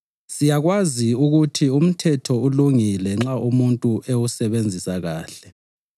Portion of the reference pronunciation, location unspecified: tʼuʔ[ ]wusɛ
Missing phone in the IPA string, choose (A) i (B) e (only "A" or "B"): B